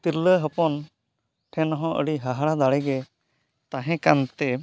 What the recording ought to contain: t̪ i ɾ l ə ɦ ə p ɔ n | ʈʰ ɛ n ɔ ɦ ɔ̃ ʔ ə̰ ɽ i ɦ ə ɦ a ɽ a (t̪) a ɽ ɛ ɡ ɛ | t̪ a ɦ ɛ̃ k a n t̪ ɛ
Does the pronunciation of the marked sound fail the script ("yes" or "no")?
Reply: yes